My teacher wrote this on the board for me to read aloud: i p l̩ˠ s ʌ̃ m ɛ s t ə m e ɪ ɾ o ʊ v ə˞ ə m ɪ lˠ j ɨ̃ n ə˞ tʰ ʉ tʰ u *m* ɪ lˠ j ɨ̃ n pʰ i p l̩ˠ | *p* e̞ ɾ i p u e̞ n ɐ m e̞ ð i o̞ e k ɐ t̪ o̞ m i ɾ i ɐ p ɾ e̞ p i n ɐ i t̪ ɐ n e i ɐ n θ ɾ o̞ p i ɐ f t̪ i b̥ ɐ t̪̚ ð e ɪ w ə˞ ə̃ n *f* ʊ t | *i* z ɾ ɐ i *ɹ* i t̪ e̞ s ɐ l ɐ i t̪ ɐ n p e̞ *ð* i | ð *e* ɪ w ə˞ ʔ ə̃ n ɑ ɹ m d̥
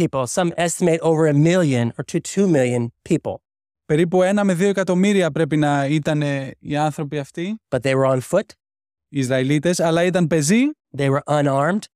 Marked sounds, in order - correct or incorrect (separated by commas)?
correct, correct, correct, correct, incorrect, incorrect, correct